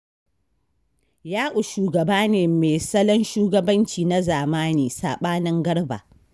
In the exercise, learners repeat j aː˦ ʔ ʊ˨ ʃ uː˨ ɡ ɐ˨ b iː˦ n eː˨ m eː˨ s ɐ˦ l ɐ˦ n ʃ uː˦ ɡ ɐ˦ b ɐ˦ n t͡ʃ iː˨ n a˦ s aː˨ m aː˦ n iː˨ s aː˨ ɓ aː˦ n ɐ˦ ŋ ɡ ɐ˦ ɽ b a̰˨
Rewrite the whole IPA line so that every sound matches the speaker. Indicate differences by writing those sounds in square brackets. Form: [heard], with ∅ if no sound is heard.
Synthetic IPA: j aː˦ ʔ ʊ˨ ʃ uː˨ ɡ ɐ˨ b [aː˦] n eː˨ m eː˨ s ɐ˦ l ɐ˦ n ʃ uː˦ ɡ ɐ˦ b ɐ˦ n t͡ʃ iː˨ n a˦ [z] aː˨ m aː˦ n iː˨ s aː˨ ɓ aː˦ n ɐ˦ ŋ ɡ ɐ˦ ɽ b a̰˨